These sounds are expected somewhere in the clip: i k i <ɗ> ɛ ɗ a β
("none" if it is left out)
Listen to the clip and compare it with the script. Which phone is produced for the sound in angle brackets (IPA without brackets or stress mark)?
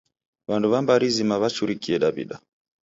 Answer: none